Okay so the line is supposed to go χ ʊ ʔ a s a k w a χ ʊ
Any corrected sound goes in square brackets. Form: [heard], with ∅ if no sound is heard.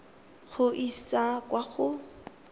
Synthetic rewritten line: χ ʊ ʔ [i] s a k w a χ ʊ